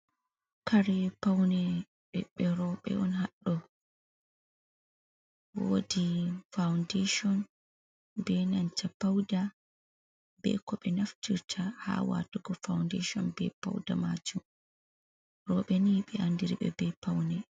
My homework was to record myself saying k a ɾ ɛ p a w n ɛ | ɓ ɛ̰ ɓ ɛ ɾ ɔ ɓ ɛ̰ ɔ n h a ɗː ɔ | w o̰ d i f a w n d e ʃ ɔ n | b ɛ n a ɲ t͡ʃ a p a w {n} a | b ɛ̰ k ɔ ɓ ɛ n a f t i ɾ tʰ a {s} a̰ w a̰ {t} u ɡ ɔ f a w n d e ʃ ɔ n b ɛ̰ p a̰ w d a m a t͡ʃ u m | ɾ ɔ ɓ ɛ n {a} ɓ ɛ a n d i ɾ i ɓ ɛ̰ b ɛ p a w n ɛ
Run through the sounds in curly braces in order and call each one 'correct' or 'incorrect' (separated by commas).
incorrect, incorrect, correct, incorrect